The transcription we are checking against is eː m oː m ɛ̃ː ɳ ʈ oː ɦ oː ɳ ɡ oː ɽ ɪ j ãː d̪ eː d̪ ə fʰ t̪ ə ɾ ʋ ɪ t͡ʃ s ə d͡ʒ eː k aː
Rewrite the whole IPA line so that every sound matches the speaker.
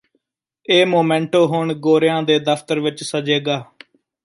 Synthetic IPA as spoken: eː m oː m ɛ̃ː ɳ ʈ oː ɦ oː ɳ ɡ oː ɾ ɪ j ãː d̪ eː d̪ ə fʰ t̪ ə ɾ ʋ ɪ t͡ʃ s ə d͡ʒ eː ɡ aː